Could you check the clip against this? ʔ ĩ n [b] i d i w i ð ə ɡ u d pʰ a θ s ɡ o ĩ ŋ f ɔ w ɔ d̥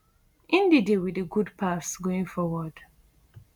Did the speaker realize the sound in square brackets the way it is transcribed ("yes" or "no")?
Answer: no